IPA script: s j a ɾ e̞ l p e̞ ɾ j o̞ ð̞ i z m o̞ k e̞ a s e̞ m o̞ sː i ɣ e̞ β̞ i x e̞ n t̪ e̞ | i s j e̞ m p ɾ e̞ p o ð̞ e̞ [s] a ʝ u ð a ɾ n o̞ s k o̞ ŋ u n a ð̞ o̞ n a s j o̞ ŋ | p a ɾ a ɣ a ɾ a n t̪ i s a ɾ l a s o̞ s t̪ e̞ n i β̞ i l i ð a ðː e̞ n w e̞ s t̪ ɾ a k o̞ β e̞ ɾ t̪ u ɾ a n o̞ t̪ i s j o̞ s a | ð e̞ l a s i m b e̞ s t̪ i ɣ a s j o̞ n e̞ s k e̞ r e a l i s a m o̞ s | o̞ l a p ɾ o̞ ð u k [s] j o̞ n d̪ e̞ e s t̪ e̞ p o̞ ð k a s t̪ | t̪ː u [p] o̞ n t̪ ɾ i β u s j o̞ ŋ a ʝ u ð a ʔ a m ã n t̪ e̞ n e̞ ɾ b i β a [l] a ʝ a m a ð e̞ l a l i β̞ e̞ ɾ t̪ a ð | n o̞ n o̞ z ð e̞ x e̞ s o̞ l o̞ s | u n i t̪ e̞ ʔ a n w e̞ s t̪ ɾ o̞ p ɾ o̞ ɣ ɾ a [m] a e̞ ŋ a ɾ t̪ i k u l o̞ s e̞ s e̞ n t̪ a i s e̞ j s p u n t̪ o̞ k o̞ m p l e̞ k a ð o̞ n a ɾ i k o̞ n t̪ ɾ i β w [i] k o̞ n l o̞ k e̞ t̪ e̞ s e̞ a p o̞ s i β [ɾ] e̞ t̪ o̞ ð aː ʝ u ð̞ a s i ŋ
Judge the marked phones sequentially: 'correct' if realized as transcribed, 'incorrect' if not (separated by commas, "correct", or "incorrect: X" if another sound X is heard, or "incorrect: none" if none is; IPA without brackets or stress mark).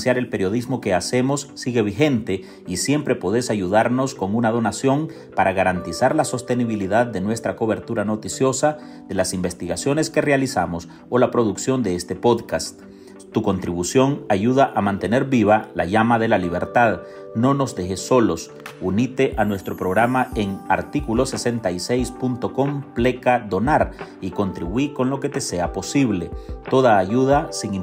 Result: correct, correct, incorrect: k, correct, correct, correct, incorrect: l